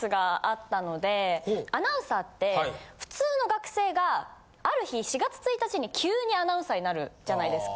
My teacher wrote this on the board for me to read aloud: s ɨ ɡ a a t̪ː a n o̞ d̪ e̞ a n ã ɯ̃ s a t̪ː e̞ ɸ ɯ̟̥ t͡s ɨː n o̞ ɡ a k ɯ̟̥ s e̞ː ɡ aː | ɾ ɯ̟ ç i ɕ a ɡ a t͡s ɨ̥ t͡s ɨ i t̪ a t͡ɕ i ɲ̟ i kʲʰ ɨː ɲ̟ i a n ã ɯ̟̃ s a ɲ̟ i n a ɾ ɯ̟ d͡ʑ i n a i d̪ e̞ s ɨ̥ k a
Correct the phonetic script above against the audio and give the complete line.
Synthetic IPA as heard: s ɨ ɡ a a t̪ː a n o̞ d̪ e̞ a n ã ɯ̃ s a t̪ː e̞ ɸ ɯ̟̥ t͡s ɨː n o̞ ɡ a k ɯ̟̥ s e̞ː ɡ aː | ɾ ɯ̟ ç i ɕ i ɡ a t͡s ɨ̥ t͡s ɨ i t̪ a t͡ɕ i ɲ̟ i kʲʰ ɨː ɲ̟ i a n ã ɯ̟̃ s a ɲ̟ i n a ɾ ɯ̟ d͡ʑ a n a i d̪ e̞ s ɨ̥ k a